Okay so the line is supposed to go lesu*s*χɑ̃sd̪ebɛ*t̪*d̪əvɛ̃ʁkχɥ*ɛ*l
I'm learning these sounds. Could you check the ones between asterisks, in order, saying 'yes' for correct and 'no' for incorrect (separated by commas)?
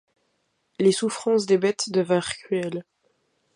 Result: no, yes, yes